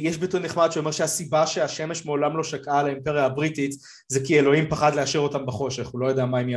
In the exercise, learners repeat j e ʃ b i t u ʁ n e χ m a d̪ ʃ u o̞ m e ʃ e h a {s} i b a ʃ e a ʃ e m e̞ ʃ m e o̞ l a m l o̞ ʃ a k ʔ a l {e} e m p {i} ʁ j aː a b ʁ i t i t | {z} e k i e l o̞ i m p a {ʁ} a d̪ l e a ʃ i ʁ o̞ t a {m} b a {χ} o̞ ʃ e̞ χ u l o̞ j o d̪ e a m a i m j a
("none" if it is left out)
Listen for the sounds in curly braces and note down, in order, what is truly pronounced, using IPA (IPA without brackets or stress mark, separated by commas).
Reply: s, a, e, z, χ, m, χ